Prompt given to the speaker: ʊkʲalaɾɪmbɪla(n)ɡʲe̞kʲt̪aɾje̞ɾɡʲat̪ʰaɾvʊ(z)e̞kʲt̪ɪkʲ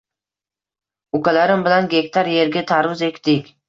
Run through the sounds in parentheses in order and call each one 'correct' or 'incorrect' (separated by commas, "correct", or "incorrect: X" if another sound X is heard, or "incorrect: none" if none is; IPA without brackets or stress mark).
correct, correct